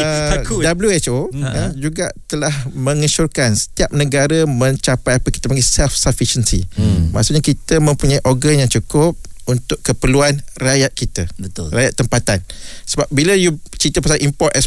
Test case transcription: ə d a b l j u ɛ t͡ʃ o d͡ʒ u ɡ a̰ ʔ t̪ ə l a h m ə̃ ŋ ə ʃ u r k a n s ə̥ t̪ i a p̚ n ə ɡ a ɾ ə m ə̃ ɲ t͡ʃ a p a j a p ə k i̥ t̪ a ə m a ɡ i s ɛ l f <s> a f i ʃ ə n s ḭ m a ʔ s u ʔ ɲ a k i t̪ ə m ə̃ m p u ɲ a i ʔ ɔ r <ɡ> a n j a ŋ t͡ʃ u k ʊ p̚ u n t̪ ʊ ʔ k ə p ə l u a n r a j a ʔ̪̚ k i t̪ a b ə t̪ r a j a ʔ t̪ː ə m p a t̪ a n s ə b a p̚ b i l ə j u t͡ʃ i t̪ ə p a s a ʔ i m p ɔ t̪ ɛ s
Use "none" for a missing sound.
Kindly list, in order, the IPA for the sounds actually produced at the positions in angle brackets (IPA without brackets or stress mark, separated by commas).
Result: s, ɡ